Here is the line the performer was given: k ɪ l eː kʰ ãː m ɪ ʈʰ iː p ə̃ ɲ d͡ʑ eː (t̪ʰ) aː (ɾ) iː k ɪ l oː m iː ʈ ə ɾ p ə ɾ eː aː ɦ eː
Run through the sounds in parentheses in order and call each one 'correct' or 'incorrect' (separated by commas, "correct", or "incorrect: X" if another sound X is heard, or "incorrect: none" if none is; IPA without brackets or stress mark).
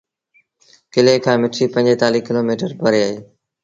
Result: incorrect: t̪, incorrect: l